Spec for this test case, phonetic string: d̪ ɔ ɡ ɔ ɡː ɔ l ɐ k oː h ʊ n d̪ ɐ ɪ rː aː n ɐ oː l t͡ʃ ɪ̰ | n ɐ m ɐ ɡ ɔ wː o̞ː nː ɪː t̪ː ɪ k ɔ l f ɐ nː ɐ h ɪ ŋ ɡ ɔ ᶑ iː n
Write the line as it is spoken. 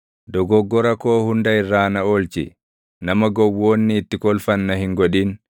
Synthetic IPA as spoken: d̪ ɔ ɡ ɔ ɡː ɔ ɾ ɐ k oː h ʊ n d̪ ɐ ɪ rː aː n ɐ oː l t͡ʃ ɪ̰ | n ɐ m ɐ ɡ ɔ wː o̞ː nː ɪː t̪ː ɪ k ɔ l f ɐ nː ɐ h ɪ ŋ ɡ ɔ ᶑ iː n